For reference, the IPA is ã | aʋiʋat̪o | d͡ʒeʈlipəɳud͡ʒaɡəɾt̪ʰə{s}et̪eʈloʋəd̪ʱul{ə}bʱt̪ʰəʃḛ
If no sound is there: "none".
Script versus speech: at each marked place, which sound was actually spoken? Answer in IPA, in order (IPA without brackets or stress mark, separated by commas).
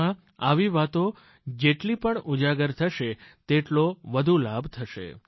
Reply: ʃ, a